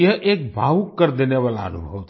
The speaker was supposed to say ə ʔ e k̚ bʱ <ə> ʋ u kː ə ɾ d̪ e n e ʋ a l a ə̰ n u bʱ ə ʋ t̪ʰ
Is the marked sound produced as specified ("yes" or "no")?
no